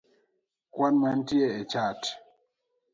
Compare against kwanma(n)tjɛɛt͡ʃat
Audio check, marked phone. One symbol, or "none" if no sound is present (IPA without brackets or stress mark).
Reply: n